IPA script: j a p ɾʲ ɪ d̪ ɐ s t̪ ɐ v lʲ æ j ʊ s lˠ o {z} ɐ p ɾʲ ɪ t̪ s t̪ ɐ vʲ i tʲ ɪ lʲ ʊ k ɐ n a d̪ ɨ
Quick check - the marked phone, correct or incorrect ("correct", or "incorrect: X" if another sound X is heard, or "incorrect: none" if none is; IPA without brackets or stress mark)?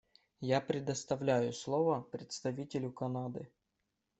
incorrect: v